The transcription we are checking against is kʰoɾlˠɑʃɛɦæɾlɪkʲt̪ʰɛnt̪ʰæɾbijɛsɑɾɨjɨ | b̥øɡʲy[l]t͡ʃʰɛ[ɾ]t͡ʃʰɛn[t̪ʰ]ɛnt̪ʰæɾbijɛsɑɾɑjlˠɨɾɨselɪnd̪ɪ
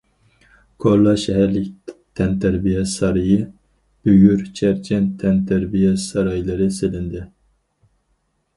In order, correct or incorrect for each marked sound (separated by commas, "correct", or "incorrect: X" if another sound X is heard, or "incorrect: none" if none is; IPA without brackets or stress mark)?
incorrect: ɾ, correct, correct